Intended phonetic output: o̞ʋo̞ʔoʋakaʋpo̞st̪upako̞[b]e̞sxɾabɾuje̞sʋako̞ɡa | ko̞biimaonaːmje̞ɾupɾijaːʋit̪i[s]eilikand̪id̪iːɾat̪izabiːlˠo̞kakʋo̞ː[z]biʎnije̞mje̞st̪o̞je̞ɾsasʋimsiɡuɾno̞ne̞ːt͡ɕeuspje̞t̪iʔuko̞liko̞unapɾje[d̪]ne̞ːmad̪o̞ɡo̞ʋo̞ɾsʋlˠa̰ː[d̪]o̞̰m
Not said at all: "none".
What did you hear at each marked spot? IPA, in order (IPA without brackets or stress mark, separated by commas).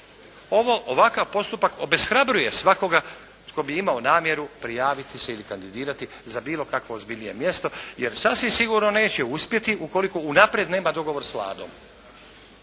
b, s, z, d̪, d̪